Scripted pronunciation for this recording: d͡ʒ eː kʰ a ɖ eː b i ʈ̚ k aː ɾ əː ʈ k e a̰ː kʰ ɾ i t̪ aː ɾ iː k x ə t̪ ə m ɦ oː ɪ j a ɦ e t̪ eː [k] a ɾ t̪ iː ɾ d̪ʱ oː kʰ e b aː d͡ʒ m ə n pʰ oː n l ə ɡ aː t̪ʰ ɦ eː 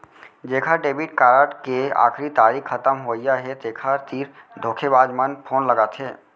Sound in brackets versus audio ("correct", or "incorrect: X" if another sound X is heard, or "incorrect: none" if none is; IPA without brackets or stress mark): incorrect: kʰ